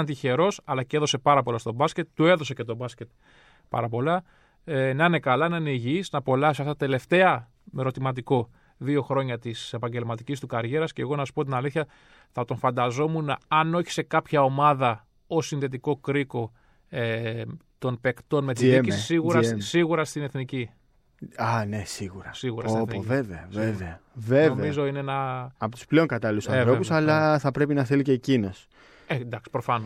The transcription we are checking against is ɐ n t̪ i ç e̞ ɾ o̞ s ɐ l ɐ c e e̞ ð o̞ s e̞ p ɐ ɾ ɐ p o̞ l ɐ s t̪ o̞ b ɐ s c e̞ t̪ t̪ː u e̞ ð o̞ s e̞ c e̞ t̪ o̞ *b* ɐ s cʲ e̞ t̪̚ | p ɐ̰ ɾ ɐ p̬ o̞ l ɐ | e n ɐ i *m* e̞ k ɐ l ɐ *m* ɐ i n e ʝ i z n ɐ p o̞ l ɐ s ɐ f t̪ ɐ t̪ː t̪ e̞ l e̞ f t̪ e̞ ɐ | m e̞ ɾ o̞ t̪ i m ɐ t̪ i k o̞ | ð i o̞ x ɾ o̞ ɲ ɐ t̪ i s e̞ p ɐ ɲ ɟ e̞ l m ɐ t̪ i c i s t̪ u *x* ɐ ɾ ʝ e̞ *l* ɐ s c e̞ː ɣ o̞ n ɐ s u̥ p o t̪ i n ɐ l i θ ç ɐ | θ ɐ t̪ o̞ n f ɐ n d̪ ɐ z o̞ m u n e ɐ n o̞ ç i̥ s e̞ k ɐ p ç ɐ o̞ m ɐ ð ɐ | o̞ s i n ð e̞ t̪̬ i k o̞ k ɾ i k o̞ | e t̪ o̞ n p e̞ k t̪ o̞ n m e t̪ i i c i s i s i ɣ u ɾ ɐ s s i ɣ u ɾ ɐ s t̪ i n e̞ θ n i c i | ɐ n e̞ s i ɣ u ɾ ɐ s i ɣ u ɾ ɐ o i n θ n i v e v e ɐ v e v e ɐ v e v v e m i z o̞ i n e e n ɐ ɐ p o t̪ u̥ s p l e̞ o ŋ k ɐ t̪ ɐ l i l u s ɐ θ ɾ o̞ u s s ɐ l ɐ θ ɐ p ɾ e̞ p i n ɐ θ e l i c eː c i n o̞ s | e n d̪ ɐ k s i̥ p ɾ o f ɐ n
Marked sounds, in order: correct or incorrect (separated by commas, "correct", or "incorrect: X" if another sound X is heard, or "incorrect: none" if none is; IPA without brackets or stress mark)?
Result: correct, incorrect: n, incorrect: n, incorrect: k, incorrect: ɾ